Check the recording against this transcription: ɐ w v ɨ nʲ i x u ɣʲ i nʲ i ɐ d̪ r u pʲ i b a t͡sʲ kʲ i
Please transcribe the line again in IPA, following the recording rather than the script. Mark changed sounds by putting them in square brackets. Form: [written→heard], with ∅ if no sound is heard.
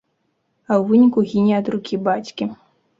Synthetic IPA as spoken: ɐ w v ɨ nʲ i [x→k] u ɣʲ i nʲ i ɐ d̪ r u [pʲ→kʲ] i b a t͡sʲ kʲ i